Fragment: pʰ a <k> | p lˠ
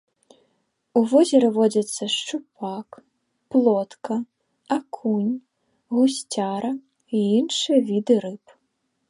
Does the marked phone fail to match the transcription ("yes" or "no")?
no